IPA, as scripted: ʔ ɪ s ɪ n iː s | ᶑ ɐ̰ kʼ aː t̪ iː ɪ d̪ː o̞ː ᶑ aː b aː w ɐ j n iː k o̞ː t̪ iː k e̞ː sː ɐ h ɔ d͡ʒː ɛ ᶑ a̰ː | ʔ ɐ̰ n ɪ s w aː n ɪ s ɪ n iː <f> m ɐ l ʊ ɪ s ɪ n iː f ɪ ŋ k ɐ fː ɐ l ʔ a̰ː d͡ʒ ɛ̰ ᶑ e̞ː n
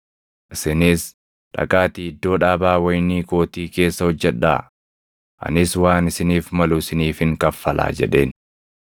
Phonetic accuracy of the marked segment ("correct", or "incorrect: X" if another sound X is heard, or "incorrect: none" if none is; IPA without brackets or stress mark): correct